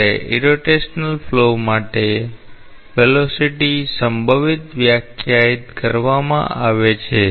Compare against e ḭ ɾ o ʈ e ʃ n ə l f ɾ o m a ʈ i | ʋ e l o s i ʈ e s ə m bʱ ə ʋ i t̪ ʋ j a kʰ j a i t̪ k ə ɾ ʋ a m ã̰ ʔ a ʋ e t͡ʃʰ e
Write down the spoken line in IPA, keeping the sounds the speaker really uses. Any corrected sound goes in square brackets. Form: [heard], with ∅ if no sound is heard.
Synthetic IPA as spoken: e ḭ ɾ o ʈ e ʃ n ə l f [l] o m a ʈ [e] | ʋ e l o s i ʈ [i] s ə m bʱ ə ʋ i t̪ ʋ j a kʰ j a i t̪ k ə ɾ ʋ a m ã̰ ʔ a ʋ e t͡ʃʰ e